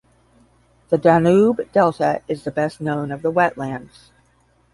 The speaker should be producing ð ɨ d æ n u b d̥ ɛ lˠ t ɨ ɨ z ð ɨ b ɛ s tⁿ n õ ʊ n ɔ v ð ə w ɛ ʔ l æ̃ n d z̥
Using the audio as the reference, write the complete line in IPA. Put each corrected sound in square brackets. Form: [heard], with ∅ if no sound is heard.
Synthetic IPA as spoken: ð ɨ d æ n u b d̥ ɛ lˠ t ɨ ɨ z ð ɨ b ɛ s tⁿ n õ [ʊ̃] n [ʌ] v ð ə w ɛ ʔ l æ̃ n d z̥